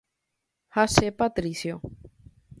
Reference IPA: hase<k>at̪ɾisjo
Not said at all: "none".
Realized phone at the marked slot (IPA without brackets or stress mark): p